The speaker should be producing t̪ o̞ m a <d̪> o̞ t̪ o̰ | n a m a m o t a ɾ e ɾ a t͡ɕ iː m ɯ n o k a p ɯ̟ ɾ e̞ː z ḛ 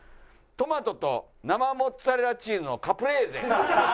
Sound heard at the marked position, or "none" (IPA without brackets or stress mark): t̪